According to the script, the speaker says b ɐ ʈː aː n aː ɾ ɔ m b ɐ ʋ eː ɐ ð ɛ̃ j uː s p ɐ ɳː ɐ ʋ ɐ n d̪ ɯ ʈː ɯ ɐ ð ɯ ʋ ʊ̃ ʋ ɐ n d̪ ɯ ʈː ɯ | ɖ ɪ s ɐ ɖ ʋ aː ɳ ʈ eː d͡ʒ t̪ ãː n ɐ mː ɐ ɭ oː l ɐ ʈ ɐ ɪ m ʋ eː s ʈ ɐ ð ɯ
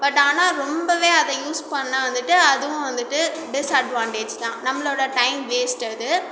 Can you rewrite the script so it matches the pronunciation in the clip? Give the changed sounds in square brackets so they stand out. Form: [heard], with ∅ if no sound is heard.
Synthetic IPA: b ɐ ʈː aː n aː ɾ ɔ m b ɐ ʋ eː ɐ ð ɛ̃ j uː s p ɐ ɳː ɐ ʋ ɐ n d̪ ɯ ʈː ɯ ɐ ð ɯ ʋ ʊ̃ ʋ ɐ n d̪ ɯ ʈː ɯ | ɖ ɪ s ɐ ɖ ʋ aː ɳ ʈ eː d͡ʒ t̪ ãː n ɐ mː ɐ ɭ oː [ɽ] ɐ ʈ ɐ ɪ m ʋ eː s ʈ ɐ ð ɯ